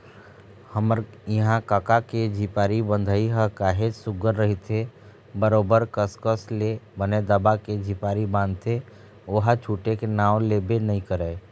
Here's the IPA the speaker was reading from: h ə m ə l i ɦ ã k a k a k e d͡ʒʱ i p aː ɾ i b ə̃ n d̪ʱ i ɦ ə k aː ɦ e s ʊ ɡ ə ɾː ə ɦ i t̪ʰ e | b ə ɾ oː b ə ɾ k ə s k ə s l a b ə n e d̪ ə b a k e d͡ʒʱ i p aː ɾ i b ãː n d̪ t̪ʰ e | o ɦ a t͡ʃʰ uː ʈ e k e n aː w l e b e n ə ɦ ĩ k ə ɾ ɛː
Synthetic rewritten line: h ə m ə ɾ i ɦ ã k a k a k e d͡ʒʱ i p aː ɾ i b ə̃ n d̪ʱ i ɦ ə k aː ɦ e s ʊ ɡ ə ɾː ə ɦ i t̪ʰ e | b ə ɾ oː b ə ɾ k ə s k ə s l e b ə n e d̪ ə b a k e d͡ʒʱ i p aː ɾ i b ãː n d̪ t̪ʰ e | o ɦ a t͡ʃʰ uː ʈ e k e n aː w l e b e n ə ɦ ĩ k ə ɾ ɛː